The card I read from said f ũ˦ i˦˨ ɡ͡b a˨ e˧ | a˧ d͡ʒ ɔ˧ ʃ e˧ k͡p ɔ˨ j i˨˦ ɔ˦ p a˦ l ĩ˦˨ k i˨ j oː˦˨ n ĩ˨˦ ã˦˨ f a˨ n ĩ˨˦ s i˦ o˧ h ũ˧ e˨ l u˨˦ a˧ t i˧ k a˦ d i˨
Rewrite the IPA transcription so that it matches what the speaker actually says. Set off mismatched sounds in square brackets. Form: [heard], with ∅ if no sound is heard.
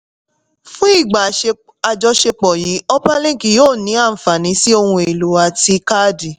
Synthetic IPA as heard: f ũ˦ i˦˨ ɡ͡b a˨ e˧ | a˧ d͡ʒ ɔ˧ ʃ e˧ k͡p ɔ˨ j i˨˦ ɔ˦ p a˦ l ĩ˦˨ k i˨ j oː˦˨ n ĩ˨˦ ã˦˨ f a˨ n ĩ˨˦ s i˦ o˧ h ũ˧ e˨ l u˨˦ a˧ t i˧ k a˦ d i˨